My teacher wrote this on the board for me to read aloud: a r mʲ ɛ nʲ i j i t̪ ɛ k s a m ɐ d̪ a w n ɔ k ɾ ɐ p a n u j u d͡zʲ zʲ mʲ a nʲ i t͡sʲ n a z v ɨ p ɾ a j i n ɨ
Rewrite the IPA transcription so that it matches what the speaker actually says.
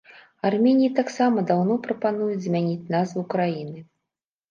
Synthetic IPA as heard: a r mʲ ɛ nʲ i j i t̪ a k s a m ɐ d̪ a w n ɔ p ɾ ɐ p a n u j u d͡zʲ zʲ mʲ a nʲ i t͡sʲ n a z v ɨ k ɾ a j i n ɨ